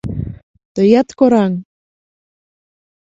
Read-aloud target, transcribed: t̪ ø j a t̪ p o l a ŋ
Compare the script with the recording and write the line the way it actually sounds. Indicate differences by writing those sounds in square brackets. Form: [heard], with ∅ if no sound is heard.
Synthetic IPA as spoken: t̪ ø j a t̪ [k] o [ɾ] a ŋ